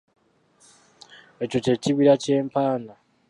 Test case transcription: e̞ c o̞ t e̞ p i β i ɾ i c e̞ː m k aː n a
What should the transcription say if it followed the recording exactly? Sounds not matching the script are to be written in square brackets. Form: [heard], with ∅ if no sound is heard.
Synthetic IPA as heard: e̞ c o̞ [c] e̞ [c] i β i ɾ [a] c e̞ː m [p] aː n a